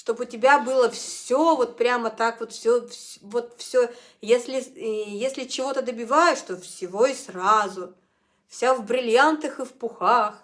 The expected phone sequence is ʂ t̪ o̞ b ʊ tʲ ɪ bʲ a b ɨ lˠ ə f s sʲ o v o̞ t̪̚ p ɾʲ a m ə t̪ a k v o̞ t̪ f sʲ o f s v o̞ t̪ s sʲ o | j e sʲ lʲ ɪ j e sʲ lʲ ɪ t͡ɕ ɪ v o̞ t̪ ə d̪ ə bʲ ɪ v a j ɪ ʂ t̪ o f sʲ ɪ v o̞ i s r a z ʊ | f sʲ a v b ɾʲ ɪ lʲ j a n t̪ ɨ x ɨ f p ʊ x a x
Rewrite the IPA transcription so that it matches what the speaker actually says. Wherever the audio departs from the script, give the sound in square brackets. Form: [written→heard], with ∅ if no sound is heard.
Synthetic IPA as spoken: ʂ t̪ o̞ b ʊ tʲ ɪ bʲ a b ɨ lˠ ə f s sʲ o v o̞ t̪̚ p ɾʲ a m ə t̪ a k v o̞ t̪ f sʲ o f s v o̞ t̪ [s→f] sʲ o | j e sʲ lʲ ɪ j e sʲ lʲ ɪ t͡ɕ ɪ v o̞ t̪ ə d̪ ə bʲ ɪ v a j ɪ ʂ t̪ o f sʲ ɪ v o̞ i s r a z ʊ | f sʲ a v b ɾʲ ɪ lʲ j a n t̪ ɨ x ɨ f p ʊ x a x